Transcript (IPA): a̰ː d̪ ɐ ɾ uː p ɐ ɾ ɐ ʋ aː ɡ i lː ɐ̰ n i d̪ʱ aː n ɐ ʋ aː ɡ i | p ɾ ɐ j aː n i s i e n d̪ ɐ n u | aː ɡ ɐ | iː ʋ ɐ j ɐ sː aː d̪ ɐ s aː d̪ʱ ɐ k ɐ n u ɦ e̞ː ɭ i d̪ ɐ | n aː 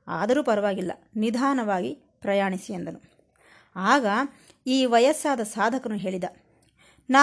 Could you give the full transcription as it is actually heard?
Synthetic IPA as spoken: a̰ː d̪ ɐ ɾ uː p ɐ ɾ ɐ ʋ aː ɡ i lː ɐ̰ n i d̪ʱ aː n ɐ ʋ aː ɡ i | p ɾ ɐ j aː ɳ i s i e n d̪ ɐ n u | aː ɡ ɐ | iː ʋ ɐ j ɐ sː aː d̪ ɐ s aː d̪ʱ ɐ k ɐ n u ɦ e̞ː ɭ i d̪ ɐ | n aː